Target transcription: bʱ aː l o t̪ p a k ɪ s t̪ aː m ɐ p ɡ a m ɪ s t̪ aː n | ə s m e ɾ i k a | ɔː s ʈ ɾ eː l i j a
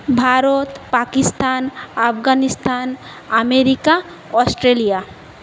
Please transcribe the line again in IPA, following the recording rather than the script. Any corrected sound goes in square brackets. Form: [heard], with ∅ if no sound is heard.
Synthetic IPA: bʱ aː [ɾ] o t̪ p a k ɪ s t̪ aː [n] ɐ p ɡ a [n] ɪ s t̪ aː n | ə [∅] m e ɾ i k a | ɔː s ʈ ɾ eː l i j a